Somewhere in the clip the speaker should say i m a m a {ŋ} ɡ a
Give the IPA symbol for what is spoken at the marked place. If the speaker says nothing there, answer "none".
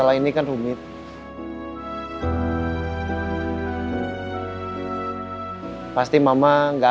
ŋ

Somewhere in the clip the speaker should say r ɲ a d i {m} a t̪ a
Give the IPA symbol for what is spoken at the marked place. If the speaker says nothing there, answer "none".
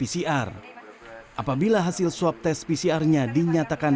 ɲ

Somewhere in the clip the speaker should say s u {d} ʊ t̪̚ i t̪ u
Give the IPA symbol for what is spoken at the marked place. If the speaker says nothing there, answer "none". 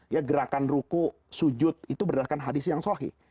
d͡ʒ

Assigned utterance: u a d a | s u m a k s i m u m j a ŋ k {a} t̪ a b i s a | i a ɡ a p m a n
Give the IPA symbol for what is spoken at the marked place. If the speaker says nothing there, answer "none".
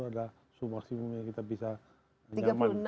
i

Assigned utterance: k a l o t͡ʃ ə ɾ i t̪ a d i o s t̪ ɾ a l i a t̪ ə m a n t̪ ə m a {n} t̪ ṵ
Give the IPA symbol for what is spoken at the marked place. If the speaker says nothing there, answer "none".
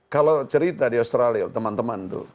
n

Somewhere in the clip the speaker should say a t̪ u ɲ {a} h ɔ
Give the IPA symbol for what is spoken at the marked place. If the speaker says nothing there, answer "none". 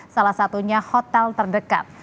a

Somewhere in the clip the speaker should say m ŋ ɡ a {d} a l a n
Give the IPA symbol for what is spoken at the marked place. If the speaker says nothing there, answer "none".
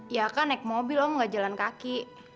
d͡ʒ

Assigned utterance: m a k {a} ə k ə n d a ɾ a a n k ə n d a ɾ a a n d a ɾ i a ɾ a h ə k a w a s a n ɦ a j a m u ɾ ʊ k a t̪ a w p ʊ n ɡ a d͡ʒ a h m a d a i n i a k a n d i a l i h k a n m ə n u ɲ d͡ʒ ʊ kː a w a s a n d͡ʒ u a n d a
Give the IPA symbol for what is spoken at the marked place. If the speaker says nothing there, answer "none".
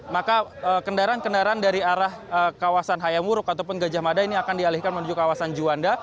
a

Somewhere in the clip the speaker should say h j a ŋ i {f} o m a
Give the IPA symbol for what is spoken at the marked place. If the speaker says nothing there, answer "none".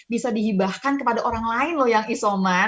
s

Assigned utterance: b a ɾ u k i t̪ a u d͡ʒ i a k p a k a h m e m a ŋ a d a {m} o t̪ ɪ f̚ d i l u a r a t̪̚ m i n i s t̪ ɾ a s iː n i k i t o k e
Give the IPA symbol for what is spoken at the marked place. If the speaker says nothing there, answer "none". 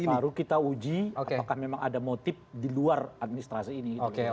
m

